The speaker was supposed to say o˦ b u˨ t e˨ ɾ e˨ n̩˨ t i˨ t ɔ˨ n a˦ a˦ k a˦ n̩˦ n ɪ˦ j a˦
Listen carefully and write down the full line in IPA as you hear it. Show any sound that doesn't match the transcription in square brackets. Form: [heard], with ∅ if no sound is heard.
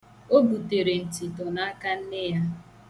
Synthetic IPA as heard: o˦ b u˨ t e˨ ɾ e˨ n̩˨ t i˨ t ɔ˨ n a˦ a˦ k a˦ n̩˦ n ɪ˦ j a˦